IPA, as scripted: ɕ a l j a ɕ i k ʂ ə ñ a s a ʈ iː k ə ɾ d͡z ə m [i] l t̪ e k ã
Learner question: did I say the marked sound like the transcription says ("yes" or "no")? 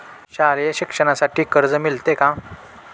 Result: yes